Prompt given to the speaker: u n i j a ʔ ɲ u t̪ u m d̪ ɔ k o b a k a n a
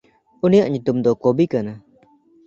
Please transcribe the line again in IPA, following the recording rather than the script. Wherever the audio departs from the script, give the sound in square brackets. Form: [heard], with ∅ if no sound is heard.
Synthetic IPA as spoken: u n i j a ʔ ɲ u t̪ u m d̪ ɔ k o b [i] k a n a